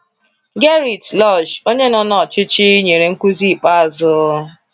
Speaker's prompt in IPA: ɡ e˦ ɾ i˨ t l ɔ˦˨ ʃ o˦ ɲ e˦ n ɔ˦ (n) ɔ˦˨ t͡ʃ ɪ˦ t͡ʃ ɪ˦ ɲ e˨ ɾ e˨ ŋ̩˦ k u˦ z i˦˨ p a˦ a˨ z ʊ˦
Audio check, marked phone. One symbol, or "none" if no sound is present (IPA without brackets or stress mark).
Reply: n